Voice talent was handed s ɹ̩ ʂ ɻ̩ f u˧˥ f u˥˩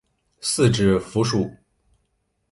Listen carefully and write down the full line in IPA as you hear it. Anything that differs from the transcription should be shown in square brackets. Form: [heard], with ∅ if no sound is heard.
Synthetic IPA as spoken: s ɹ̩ [ʈ͡ʂ] ɻ̩ f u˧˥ [ʂ] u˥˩